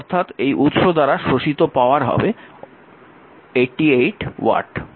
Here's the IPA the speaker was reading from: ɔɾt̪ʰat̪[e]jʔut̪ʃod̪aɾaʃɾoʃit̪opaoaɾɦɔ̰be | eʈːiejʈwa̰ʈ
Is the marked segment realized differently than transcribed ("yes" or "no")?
no